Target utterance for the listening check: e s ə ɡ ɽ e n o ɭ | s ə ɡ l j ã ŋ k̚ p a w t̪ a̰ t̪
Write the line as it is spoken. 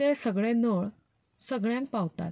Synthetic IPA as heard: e s ə ɡ ɭ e n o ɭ | s ə ɡ ɭ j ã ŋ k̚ p a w t̪ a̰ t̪